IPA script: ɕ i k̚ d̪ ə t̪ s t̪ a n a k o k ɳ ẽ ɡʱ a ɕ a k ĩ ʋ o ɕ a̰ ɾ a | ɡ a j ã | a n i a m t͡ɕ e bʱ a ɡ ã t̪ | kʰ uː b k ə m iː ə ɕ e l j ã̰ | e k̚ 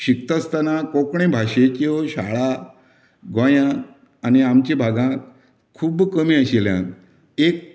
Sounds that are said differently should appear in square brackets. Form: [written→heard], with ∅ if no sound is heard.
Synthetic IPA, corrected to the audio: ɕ i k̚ [d̪→t̪] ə [t̪→∅] s t̪ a n a k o k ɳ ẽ [ɡʱ→bʱ] a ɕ [a→e] k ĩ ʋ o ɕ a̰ [ɾ→ɭ] a | ɡ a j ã | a n i a m t͡ɕ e bʱ a ɡ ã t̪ | kʰ uː b k ə m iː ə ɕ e l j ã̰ | e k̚